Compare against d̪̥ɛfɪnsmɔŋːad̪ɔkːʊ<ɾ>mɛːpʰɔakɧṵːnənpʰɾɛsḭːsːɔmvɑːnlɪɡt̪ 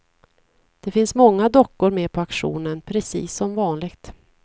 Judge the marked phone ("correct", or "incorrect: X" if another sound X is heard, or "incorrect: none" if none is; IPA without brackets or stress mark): correct